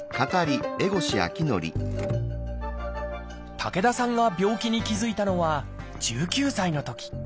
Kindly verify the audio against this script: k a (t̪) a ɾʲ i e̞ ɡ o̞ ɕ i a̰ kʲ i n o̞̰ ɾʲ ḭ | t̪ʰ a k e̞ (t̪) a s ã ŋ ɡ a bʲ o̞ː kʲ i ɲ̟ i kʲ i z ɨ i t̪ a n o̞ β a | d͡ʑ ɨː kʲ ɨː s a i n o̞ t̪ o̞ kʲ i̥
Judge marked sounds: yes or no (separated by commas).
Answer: yes, no